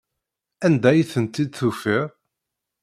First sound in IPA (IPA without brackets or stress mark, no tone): æ